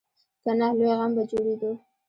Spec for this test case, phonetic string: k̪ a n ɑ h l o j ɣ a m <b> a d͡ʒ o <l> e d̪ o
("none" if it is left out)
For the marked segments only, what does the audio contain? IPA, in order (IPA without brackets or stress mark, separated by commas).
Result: b, ɽ